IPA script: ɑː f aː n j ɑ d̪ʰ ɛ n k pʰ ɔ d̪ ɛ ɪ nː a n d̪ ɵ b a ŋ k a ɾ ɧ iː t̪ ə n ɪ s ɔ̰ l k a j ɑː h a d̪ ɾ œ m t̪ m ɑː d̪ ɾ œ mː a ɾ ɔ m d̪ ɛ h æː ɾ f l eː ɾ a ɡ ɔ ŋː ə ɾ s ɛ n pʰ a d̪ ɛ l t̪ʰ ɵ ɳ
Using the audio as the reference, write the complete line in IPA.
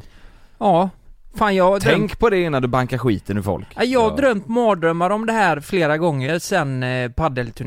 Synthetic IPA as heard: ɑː f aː n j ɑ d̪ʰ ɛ ŋ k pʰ ɔ d̪ ɛ ɪ nː a n d̪ ɵ b a ŋ k a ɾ ɧ iː t̪ ə n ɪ f ɔ̰ l k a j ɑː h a d̪ ɾ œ m t̪ m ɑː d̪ ɾ œ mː a ɾ ɔ m d̪ ɛ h æː ɾ f l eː ɾ a ɡ ɔ ŋː ə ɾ s ɛ n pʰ a d̪ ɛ l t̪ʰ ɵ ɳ